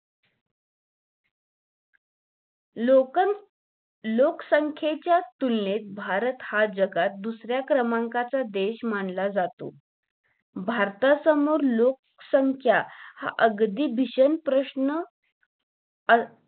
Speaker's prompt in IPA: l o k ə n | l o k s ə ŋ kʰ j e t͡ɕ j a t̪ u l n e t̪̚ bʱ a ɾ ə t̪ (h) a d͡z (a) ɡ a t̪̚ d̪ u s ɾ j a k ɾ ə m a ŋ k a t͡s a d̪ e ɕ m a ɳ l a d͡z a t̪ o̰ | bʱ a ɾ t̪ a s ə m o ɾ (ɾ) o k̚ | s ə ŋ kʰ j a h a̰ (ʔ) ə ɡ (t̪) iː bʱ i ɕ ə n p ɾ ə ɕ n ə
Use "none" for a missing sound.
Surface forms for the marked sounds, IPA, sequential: h, ə, l, ʔ, d̪

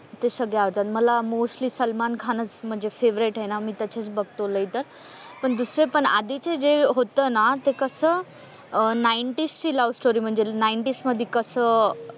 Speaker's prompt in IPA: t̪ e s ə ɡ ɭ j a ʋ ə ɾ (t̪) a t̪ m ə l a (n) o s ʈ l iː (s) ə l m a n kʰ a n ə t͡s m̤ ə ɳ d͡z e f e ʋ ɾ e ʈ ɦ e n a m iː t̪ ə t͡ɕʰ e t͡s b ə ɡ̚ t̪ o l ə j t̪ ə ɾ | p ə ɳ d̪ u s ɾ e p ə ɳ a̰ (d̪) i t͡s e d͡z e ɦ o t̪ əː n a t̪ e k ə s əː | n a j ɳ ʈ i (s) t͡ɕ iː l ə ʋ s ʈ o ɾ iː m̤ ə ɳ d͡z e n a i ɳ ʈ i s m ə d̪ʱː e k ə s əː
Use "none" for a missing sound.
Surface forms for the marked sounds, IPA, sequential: t̪, m, s, d̪, s

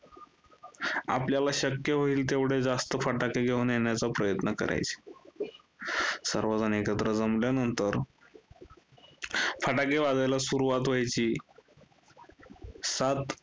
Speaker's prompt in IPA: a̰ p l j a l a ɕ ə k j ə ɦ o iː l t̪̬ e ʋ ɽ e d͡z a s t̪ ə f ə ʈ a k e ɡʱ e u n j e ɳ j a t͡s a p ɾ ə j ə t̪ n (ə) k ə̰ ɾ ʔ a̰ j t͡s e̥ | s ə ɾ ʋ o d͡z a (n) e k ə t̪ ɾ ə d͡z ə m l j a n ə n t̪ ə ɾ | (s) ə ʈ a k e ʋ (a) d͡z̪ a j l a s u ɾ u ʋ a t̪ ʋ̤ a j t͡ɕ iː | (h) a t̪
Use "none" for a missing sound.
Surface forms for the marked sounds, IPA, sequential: ə, n, f, a, s

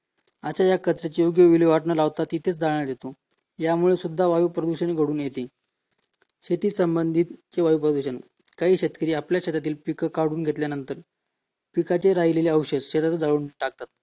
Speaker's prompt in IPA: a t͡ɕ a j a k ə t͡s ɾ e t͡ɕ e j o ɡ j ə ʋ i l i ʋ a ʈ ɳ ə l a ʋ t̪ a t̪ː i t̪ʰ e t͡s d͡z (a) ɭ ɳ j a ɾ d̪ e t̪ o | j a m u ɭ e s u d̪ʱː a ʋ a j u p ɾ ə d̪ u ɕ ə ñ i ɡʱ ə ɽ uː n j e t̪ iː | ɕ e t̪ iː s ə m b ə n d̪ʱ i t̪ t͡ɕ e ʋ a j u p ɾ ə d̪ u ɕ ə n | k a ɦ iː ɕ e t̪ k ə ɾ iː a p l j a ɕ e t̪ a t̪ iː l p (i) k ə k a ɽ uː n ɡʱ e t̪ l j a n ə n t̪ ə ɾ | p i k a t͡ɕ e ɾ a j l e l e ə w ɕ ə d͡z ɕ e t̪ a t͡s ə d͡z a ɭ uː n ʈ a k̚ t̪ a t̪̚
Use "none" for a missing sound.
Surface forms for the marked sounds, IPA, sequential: a, i

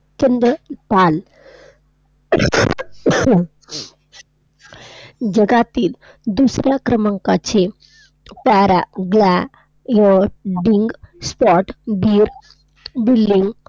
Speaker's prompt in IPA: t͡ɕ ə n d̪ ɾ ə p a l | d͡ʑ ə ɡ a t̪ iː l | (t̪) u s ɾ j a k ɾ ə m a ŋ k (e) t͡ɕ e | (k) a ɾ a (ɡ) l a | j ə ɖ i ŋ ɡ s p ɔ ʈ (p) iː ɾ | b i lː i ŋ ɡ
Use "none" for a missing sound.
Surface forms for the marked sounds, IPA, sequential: d̪, a, p, ɡ, b

